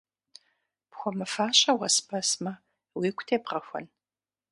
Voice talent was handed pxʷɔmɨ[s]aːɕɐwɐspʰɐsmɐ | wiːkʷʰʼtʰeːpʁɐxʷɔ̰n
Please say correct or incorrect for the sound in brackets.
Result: incorrect